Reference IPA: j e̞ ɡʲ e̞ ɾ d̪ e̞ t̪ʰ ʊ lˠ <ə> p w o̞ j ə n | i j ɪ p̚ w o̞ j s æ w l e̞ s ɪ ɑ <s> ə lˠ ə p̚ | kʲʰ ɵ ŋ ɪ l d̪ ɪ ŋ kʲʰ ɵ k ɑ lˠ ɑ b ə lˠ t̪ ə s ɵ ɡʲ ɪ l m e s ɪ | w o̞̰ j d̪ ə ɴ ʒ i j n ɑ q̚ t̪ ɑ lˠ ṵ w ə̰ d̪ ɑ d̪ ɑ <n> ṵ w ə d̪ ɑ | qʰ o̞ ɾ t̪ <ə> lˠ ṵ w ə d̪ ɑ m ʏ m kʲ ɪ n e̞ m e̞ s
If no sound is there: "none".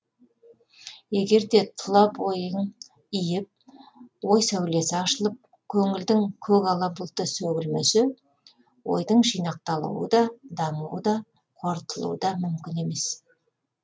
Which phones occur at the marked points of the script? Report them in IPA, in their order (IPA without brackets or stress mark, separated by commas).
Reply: ɑ, ʃ, ɴ, ə